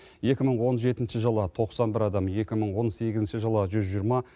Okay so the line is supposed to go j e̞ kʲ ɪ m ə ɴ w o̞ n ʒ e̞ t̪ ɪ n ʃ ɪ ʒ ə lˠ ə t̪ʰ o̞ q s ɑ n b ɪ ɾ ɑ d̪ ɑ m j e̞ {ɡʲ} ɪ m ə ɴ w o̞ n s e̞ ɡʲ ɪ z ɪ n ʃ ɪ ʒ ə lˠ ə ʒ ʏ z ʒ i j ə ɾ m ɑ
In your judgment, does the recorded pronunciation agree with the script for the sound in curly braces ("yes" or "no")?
no